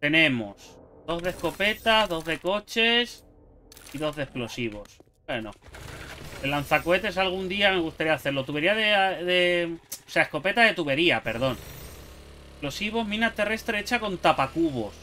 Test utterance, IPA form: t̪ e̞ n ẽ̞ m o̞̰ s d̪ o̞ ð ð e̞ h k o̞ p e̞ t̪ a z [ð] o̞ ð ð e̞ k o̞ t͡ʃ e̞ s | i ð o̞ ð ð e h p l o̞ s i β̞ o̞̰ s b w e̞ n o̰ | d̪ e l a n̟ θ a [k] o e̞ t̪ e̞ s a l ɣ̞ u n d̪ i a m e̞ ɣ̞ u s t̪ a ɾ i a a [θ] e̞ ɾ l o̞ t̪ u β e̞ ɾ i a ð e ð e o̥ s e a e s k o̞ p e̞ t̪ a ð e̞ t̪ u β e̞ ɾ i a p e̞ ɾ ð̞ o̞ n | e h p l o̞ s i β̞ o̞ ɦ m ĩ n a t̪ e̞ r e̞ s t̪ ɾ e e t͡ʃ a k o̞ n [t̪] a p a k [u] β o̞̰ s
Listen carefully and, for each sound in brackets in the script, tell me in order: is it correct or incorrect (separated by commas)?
correct, correct, correct, correct, correct